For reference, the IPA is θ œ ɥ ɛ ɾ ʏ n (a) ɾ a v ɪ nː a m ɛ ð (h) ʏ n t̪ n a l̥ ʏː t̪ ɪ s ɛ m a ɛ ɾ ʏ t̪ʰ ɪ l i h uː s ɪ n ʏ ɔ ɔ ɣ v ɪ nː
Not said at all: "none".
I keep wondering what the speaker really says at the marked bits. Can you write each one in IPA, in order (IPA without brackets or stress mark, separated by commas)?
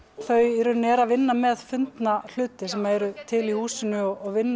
ɛ, f